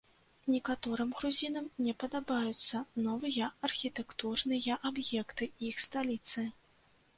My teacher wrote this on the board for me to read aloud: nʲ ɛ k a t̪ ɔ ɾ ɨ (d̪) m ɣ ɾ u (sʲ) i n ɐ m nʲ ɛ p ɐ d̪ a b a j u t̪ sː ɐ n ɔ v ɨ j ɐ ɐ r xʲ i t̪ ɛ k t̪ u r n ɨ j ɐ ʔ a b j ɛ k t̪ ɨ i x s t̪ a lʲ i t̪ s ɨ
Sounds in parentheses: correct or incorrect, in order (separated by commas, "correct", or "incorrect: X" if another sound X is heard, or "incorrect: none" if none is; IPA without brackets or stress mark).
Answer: incorrect: none, incorrect: zʲ